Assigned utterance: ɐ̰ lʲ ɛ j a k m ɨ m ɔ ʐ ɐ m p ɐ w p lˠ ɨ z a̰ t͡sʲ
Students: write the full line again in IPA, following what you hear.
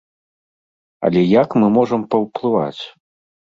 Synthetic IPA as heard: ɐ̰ lʲ ɛ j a k m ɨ m ɔ ʐ ɐ m p ɐ w p lˠ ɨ v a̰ t͡sʲ